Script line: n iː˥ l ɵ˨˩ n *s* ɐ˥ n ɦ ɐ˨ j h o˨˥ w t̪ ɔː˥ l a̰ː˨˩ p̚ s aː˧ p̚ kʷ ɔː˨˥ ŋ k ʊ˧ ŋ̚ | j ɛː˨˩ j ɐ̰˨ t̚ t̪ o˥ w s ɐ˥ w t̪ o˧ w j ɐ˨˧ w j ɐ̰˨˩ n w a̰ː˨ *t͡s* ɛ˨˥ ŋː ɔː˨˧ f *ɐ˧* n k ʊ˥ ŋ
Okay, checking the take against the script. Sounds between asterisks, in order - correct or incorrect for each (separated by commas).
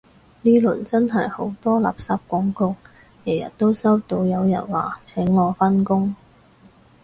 incorrect, incorrect, incorrect